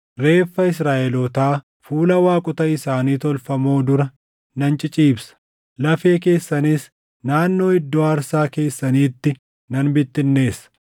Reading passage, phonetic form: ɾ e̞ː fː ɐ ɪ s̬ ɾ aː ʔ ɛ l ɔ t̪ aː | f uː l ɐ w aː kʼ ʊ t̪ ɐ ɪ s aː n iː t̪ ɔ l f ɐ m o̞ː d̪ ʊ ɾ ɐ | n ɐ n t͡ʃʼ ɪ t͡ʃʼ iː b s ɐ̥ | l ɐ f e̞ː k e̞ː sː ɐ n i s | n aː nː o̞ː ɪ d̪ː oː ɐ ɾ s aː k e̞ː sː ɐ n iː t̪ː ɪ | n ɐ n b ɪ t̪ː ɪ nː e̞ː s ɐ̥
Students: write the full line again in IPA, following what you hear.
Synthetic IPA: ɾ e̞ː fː ɐ ɪ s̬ ɾ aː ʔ ɛ l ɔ t̪ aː | f uː l ɐ w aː kʼ ʊ t̪ ɐ ɪ s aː n iː t̪ ɔ l f ɐ m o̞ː d̪ ʊ ɾ ɐ | n ɐ n t͡ʃʼ ɪ t͡ʃʼ iː b s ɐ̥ | l ɐ f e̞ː k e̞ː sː ɐ n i s | n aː nː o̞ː ɪ d̪ː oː ɐ ɾ s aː k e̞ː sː ɐ n iː t̪ː ɪ | n ɐ n b ɪ t̪ː ɪ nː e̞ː s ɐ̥

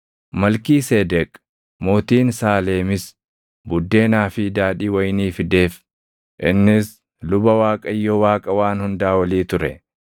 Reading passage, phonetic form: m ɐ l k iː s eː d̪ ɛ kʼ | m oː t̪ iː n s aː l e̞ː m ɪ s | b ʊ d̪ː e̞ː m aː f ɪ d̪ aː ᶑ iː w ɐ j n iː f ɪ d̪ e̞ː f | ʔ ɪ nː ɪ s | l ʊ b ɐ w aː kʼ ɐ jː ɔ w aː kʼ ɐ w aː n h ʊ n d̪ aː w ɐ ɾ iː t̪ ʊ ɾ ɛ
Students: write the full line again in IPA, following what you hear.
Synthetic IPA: m ɐ l k iː s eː d̪ ɛ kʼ | m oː t̪ iː n s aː l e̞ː m ɪ s | b ʊ d̪ː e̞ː n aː f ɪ d̪ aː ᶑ iː w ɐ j n iː f ɪ d̪ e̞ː f | ʔ ɪ nː ɪ s | l ʊ b ɐ w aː kʼ ɐ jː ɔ w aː kʼ ɐ w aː n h ʊ n d̪ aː w ɐ l iː t̪ ʊ ɾ ɛ

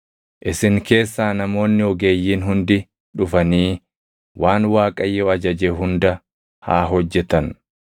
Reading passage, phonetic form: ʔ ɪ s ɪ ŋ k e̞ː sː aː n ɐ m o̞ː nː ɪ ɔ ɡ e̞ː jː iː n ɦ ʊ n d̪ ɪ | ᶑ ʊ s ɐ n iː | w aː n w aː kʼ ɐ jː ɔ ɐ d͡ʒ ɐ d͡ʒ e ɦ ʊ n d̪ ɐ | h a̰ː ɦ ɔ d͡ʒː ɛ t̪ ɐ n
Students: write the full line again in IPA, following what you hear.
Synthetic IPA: ʔ ɪ s ɪ ŋ k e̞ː sː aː n ɐ m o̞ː nː ɪ ɔ ɡ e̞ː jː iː n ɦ ʊ n d̪ ɪ | ᶑ ʊ f ɐ n iː | w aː n w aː kʼ ɐ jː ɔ ɐ d͡ʒ ɐ d͡ʒ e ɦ ʊ n d̪ ɐ | h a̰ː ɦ ɔ d͡ʒː ɛ t̪ ɐ n

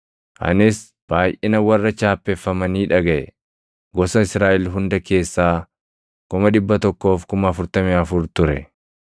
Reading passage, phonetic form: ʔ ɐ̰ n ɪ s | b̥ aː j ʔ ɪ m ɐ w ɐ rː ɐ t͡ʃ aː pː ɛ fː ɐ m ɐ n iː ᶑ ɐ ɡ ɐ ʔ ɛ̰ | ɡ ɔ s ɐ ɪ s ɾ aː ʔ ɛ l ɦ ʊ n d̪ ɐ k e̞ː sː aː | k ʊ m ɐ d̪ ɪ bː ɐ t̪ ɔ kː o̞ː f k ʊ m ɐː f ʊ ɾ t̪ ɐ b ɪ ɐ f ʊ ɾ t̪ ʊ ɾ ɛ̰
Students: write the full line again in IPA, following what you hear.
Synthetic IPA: ʔ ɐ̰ n ɪ s | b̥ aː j ʔ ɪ n ɐ w ɐ rː ɐ t͡ʃ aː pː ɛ fː ɐ m ɐ n iː ᶑ ɐ ɡ ɐ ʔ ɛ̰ | ɡ ɔ s ɐ ɪ s ɾ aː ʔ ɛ l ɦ ʊ n d̪ ɐ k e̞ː sː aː | k ʊ m ɐ d̪ ɪ bː ɐ t̪ ɔ kː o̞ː f k ʊ m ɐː f ʊ ɾ t̪ ɐ m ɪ ɐ f ʊ ɾ t̪ ʊ ɾ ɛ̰

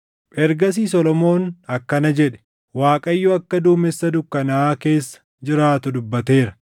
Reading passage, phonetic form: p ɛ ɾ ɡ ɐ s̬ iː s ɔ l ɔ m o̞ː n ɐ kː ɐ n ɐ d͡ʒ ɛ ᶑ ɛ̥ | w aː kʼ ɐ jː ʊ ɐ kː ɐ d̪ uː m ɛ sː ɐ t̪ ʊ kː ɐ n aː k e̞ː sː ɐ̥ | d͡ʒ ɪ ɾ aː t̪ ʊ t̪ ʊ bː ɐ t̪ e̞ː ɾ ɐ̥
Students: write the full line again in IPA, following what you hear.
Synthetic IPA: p ɛ ɾ ɡ ɐ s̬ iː s ɔ l ɔ m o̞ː n ɐ kː ɐ n ɐ d͡ʒ ɛ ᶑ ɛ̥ | w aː kʼ ɐ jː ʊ ɐ kː ɐ d̪ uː m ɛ sː ɐ d̪ ʊ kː ɐ n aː k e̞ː sː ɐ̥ | d͡ʒ ɪ ɾ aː t̪ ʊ d̪ ʊ bː ɐ t̪ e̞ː ɾ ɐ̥

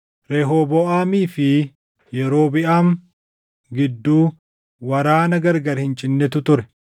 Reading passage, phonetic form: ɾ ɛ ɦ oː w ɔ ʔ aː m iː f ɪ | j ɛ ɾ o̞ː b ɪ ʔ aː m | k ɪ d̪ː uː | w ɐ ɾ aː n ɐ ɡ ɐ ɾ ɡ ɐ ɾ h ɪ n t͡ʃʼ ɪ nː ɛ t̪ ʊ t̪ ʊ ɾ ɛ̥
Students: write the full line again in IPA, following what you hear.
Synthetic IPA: ɾ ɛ ɦ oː b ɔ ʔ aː m iː f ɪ | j ɛ ɾ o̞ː b ɪ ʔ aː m | ɡ ɪ d̪ː uː | w ɐ ɾ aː n ɐ ɡ ɐ ɾ ɡ ɐ ɾ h ɪ n t͡ʃʼ ɪ nː ɛ t̪ ʊ t̪ ʊ ɾ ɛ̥

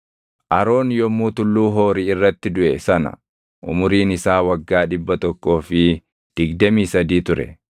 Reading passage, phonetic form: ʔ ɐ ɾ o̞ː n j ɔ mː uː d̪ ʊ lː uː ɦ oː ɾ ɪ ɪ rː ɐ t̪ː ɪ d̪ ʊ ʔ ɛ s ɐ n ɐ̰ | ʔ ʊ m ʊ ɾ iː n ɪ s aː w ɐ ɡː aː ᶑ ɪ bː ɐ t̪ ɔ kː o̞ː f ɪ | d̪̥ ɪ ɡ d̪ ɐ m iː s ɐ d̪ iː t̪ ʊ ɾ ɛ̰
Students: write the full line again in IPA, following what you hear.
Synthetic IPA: ʔ ɐ ɾ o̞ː n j ɔ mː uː t̪ ʊ lː uː ɦ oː ɾ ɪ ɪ rː ɐ t̪ː ɪ d̪ ʊ ʔ ɛ s ɐ n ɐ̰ | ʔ ʊ m ʊ ɾ iː n ɪ s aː w ɐ ɡː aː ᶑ ɪ bː ɐ t̪ ɔ kː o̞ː f ɪ | d̪̥ ɪ ɡ d̪ ɐ m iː s ɐ d̪ iː t̪ ʊ ɾ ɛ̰

